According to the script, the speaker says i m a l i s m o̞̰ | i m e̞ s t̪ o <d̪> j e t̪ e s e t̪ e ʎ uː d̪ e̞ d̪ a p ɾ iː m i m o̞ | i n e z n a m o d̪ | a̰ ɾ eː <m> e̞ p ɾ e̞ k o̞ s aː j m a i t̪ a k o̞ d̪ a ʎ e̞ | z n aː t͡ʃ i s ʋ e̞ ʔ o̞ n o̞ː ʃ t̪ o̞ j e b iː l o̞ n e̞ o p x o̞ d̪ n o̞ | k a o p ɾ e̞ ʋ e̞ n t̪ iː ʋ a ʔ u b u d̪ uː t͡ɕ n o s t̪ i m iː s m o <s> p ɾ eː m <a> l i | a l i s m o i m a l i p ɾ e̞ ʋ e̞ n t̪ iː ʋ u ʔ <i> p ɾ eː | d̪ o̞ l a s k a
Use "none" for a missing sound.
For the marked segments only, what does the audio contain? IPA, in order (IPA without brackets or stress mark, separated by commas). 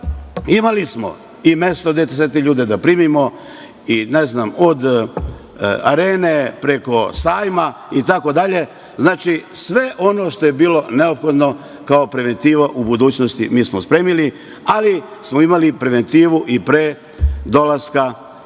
d̪, n, s, i, i